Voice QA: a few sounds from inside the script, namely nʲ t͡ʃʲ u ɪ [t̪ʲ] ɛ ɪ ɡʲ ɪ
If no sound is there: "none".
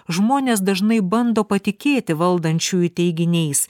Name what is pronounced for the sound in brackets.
t̪ʲ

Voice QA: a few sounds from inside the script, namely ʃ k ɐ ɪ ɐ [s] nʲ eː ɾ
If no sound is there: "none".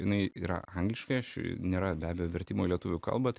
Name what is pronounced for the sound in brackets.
ʃ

